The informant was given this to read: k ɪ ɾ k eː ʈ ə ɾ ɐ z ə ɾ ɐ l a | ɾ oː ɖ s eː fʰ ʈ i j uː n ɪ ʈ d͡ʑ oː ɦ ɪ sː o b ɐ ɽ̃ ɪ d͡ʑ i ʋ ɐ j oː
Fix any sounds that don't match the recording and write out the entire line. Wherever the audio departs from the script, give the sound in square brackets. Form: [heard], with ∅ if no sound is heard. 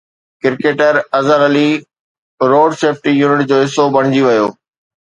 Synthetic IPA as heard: k ɪ ɾ k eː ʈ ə ɾ ɐ z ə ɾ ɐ l [i] | ɾ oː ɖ s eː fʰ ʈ i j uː n ɪ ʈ d͡ʑ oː ɦ ɪ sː o b ɐ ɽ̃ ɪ d͡ʑ i ʋ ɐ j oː